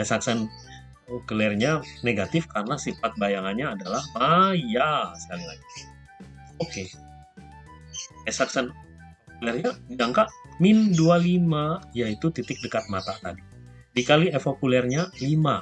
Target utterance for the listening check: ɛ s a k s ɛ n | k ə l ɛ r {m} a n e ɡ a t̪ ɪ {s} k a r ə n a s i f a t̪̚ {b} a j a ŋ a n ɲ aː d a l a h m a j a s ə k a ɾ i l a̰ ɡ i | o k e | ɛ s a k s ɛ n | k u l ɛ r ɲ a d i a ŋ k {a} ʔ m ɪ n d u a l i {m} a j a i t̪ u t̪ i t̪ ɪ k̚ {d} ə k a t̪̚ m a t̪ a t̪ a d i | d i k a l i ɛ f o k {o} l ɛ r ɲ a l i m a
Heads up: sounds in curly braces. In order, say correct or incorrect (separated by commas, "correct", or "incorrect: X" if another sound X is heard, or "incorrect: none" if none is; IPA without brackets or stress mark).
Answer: incorrect: ɲ, incorrect: f, correct, correct, correct, correct, incorrect: u